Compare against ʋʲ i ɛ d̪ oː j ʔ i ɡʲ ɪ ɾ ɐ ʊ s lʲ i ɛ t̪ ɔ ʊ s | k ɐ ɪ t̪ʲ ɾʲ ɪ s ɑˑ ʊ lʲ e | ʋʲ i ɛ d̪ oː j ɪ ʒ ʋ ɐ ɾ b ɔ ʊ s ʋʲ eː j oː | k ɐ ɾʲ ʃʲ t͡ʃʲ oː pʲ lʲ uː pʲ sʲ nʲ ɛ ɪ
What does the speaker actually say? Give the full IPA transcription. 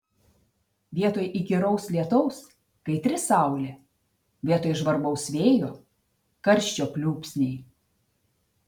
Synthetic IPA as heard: ʋʲ i ɛ t̪ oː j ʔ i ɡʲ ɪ ɾ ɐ ʊ s lʲ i ɛ t̪ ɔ ʊ s | k ɐ ɪ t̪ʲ ɾʲ ɪ s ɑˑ ʊ lʲ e | ʋʲ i ɛ t̪ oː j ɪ ʒ ʋ ɐ ɾ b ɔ ʊ s ʋʲ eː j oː | k ɐ ɾʲ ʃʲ t͡ʃʲ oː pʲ lʲ uː pʲ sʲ nʲ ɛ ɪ